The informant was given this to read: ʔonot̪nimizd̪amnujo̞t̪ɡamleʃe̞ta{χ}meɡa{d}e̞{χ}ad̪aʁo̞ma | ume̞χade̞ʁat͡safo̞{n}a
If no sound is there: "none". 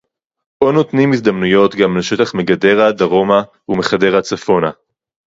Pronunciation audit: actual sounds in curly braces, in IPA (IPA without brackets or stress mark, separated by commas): χ, d, ʁ, n